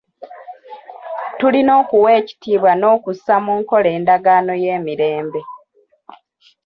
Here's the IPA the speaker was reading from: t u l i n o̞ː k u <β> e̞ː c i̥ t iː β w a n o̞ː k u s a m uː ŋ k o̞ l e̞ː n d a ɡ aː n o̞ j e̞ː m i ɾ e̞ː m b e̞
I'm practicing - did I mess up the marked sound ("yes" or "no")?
yes